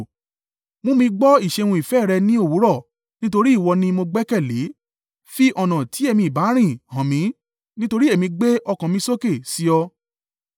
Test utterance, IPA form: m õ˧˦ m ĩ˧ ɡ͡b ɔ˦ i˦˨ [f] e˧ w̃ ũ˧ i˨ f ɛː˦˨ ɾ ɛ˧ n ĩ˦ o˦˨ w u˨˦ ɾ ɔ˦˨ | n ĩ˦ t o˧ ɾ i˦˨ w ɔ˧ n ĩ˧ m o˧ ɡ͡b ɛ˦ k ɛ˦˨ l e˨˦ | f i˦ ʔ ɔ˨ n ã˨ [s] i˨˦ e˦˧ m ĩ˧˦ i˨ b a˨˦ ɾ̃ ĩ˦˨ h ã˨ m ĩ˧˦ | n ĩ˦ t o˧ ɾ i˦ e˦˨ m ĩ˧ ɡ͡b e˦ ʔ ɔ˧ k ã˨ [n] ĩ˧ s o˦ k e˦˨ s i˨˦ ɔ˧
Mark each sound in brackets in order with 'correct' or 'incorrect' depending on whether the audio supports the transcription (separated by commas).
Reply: incorrect, incorrect, incorrect